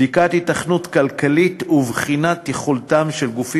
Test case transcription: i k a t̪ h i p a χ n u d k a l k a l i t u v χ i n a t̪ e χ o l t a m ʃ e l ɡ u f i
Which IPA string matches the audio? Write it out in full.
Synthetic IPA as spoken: i k a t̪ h i t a χ n u t k a l k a l i t u v χ i n a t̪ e χ o l t a m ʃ e l ɡ u f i